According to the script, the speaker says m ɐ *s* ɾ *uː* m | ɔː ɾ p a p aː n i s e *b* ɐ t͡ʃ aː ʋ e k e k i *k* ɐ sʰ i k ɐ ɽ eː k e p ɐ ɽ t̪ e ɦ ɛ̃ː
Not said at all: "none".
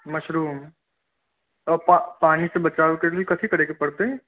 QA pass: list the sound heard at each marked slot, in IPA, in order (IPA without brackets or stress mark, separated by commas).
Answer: ʃ, uː, b, k